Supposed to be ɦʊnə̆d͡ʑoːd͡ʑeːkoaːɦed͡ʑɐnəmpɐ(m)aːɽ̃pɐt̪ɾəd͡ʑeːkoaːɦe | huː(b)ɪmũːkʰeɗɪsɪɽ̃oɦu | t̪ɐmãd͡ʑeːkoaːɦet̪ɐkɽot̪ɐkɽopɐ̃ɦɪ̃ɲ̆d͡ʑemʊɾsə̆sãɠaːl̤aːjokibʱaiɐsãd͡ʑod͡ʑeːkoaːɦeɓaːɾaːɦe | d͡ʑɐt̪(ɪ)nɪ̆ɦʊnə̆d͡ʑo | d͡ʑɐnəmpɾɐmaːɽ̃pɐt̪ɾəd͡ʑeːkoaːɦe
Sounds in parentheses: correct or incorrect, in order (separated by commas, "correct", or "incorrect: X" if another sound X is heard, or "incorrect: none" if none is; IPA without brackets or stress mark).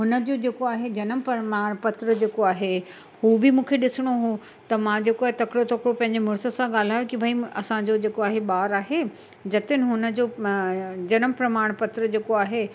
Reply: correct, correct, correct